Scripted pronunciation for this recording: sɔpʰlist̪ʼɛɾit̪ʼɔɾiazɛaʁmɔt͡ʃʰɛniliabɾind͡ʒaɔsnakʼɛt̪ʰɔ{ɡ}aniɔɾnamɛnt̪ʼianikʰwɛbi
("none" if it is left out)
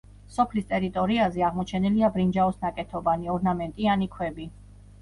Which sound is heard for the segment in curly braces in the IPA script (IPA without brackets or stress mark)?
b